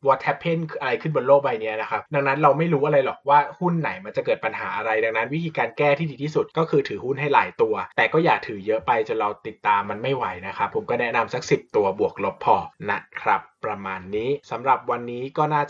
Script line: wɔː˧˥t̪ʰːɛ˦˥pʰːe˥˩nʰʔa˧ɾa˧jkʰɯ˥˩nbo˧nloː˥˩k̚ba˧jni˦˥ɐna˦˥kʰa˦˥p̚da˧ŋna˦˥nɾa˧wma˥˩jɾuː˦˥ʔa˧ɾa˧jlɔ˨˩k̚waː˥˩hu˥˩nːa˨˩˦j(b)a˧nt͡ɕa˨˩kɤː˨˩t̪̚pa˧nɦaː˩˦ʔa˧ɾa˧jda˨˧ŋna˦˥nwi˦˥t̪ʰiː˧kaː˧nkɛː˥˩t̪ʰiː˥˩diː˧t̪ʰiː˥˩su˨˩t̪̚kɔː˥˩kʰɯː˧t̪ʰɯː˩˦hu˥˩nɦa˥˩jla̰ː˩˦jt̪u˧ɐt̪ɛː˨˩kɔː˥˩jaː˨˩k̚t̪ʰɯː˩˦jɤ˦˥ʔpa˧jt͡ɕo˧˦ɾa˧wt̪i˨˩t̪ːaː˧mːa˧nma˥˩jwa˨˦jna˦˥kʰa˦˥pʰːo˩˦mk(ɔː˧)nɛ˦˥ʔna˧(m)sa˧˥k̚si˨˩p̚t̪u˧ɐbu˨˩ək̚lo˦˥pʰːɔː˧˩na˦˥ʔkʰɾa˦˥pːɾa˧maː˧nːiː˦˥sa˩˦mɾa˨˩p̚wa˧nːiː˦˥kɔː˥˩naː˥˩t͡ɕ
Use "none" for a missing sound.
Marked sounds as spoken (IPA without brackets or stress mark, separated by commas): m, ɔː˥˩, m